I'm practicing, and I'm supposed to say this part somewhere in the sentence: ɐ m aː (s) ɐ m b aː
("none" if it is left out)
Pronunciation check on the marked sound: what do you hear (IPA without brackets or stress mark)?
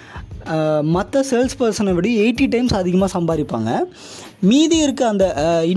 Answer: s